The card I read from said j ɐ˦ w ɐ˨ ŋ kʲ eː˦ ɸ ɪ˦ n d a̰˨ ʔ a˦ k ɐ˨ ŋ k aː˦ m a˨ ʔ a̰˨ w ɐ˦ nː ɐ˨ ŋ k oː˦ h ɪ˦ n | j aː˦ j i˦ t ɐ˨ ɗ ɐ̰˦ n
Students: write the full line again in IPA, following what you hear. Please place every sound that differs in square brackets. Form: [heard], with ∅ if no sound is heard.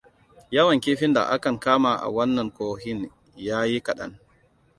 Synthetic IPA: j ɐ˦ w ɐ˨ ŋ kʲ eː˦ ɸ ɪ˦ n d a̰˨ ʔ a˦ k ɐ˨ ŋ k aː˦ m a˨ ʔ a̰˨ w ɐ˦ nː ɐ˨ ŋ k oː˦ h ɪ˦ n | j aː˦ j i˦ [k] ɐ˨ ɗ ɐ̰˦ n